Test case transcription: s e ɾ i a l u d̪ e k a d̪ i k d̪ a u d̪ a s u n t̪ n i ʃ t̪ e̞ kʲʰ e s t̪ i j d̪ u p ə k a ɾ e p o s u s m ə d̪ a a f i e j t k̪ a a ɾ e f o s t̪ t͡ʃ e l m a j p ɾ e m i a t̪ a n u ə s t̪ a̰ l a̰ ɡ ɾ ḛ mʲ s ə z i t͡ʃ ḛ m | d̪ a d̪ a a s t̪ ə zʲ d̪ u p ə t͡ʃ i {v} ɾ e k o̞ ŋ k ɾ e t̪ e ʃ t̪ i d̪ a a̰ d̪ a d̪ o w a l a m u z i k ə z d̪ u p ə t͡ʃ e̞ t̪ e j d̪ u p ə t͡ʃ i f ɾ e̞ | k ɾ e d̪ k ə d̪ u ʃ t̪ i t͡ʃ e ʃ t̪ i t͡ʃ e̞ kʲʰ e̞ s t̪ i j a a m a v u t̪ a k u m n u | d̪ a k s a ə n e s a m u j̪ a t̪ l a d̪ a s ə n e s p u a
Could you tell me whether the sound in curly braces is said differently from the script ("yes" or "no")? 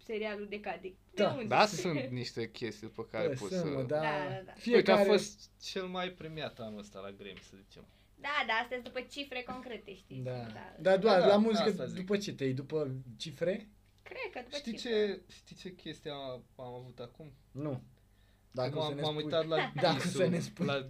yes